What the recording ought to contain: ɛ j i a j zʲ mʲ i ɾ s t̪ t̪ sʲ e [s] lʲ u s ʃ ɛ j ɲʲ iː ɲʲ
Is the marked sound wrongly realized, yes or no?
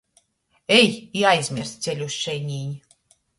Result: yes